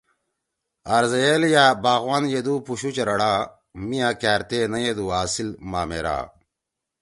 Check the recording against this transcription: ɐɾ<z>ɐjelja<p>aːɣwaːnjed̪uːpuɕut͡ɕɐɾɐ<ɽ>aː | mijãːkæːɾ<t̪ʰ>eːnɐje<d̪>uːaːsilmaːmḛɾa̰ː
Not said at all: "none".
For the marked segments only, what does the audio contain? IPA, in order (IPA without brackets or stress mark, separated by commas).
z, b, ɽ, t̪, d̪